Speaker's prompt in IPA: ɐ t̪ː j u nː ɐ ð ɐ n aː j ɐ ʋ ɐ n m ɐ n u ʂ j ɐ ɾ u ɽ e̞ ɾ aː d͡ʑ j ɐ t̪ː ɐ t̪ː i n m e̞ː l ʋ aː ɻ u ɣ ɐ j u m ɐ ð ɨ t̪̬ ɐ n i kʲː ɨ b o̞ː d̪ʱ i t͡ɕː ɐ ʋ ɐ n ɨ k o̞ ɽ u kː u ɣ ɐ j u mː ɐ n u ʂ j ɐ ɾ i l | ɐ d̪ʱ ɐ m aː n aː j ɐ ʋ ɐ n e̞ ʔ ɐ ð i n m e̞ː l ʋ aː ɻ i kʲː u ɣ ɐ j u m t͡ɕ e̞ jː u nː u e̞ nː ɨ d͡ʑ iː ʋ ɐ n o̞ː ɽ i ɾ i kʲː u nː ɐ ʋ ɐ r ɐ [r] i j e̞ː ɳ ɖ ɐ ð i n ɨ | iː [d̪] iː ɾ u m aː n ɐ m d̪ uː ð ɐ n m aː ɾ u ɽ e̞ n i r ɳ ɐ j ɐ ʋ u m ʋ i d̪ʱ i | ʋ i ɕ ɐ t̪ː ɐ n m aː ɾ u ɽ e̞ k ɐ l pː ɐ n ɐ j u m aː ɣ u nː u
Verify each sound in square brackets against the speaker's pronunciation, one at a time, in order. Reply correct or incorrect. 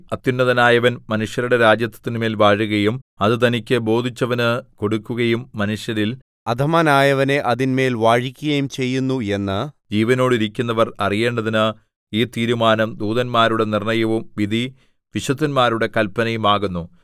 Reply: correct, incorrect

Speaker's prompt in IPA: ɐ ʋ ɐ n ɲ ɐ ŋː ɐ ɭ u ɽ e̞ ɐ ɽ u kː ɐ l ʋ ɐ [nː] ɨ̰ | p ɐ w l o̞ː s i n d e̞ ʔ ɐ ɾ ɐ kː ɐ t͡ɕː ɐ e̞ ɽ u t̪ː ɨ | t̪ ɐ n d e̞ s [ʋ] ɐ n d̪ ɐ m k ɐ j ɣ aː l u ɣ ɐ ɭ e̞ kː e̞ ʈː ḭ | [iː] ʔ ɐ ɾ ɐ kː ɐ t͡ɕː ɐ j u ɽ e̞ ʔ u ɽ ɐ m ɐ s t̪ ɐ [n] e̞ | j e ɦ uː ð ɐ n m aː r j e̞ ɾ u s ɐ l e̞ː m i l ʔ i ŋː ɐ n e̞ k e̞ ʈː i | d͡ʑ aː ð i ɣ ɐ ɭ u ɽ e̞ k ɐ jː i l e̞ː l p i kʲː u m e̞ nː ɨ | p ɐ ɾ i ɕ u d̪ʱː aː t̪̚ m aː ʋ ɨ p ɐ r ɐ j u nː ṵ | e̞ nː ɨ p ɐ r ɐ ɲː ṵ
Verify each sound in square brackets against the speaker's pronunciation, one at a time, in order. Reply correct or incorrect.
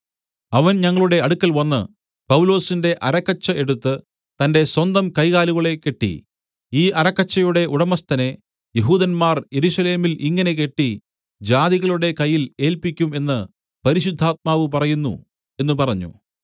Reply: correct, incorrect, correct, correct

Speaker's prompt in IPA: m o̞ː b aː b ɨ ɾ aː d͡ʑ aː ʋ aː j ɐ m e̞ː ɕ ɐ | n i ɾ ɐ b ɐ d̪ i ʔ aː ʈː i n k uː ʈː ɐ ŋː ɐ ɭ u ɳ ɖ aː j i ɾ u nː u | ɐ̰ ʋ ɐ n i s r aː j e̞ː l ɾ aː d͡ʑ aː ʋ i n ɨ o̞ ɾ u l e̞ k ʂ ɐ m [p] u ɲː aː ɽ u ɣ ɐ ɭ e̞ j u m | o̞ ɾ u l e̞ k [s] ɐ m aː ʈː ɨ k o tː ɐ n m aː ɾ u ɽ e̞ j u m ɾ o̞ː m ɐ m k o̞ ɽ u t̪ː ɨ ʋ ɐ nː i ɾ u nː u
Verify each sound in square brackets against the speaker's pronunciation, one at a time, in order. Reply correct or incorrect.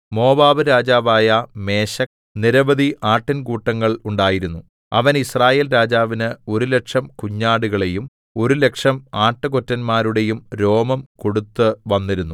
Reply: incorrect, incorrect

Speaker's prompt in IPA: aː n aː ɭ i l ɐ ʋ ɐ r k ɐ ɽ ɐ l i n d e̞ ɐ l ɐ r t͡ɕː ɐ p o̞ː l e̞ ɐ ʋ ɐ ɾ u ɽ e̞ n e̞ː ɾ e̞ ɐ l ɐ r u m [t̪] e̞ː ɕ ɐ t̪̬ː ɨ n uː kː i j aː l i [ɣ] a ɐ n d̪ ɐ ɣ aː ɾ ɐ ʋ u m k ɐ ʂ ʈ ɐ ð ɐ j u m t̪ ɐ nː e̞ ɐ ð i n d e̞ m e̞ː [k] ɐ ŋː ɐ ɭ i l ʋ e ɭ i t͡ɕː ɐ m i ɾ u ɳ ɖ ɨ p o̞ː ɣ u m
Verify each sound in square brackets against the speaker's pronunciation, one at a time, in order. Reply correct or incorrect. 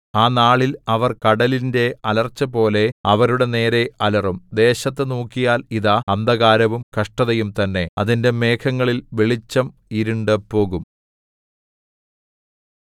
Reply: incorrect, incorrect, incorrect

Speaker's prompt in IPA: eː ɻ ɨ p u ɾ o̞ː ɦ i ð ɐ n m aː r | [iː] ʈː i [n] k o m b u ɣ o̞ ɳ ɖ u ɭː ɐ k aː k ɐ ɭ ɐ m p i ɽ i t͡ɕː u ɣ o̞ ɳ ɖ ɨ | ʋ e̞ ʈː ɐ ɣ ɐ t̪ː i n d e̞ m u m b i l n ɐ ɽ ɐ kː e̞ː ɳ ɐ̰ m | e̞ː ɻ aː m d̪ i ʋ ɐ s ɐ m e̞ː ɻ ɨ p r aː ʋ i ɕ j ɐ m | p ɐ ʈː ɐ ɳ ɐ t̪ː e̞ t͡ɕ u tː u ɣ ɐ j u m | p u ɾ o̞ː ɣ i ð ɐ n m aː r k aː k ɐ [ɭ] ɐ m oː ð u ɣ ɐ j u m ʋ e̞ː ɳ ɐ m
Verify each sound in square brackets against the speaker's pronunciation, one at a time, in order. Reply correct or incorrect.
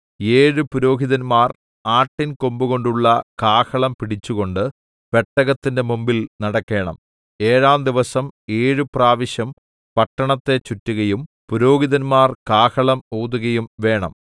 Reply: incorrect, correct, correct

